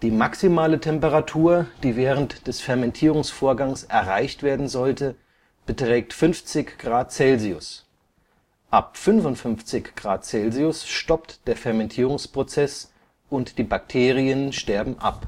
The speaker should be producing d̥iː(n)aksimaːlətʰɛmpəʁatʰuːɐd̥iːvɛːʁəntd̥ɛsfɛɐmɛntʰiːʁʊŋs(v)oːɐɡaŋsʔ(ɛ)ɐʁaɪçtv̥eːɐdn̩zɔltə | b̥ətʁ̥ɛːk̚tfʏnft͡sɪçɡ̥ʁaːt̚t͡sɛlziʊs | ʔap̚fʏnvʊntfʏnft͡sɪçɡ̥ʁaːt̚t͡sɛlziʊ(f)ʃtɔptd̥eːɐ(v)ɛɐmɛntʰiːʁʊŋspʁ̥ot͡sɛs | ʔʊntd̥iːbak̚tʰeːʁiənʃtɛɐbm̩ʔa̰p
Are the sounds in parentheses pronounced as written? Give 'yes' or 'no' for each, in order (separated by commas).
no, no, yes, no, no